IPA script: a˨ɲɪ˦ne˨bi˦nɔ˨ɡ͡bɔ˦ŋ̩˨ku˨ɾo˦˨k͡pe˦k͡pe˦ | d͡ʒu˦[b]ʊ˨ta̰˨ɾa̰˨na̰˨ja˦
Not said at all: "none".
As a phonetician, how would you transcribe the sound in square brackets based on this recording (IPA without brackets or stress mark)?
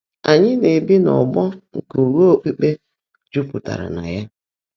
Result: p